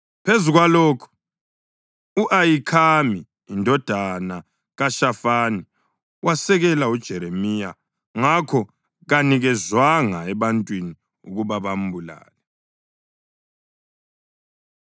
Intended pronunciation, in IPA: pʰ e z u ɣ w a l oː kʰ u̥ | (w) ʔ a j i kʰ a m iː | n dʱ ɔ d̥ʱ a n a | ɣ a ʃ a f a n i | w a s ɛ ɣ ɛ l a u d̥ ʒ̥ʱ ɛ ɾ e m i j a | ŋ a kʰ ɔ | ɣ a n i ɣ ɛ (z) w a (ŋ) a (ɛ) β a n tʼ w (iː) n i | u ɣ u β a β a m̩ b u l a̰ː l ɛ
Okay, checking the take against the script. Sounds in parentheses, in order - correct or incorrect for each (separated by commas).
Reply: incorrect, correct, correct, correct, incorrect